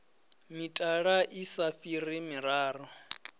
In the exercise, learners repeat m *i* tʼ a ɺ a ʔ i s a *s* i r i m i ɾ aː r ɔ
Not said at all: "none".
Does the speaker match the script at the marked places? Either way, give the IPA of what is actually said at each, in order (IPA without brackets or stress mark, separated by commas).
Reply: i, f